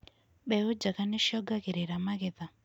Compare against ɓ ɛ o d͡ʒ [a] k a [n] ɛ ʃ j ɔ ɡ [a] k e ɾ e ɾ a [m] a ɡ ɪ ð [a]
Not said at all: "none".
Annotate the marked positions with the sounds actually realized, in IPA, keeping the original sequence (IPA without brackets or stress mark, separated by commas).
a, n, a, m, a